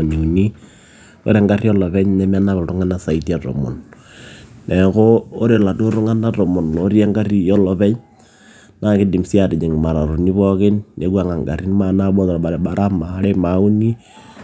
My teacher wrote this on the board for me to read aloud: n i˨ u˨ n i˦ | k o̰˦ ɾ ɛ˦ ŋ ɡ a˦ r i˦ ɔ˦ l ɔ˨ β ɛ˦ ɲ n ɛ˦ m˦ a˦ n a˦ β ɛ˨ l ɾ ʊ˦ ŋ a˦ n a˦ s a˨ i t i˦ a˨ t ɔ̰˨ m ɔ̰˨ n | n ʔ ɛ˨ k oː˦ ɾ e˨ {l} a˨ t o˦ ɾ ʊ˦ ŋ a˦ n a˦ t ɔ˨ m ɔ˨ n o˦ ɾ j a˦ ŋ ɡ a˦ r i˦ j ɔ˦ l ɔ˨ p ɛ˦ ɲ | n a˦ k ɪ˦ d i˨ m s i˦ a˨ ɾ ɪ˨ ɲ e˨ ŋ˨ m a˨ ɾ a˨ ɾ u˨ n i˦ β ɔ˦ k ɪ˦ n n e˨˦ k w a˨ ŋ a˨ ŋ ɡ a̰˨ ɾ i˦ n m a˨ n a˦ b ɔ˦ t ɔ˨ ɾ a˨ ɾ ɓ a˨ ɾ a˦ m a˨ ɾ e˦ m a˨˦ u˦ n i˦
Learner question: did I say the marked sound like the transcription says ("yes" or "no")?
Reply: yes